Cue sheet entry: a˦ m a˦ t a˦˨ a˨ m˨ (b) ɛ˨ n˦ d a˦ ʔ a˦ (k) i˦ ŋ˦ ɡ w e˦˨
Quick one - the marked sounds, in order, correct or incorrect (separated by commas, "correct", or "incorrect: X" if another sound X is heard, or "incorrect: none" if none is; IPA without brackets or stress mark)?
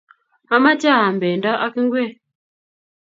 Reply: correct, correct